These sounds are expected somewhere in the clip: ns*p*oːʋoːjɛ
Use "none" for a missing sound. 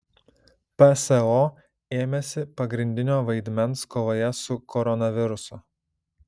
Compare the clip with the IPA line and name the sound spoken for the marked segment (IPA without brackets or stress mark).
k